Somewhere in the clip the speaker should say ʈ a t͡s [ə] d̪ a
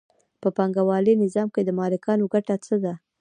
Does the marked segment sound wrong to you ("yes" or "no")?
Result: no